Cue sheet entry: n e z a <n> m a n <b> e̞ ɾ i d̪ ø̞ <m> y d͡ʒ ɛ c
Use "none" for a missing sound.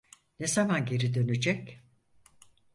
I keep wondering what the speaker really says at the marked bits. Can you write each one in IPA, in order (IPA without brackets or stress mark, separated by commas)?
none, ɟ, n